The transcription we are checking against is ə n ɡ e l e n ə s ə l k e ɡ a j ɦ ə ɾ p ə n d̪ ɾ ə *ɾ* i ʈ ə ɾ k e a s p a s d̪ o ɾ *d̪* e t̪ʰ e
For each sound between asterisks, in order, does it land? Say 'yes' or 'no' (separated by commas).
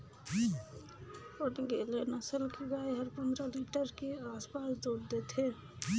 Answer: no, yes